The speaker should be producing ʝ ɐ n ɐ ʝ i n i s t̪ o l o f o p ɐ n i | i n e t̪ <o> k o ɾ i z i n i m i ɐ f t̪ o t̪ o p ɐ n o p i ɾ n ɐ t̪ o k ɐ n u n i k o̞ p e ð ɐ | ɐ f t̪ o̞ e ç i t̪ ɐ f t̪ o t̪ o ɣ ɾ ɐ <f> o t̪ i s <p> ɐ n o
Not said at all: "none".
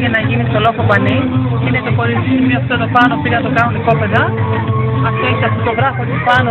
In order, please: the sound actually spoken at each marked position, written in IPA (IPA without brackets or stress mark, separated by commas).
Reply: o, f, p